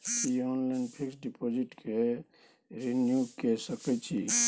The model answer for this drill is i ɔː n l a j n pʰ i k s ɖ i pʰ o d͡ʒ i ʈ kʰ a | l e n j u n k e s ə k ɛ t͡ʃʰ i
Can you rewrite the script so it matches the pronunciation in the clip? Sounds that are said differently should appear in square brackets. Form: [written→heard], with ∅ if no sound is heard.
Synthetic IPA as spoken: i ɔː n l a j n pʰ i k s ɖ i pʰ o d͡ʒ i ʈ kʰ [a→e] | [l→ɾ] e n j u [n→∅] k e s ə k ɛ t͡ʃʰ i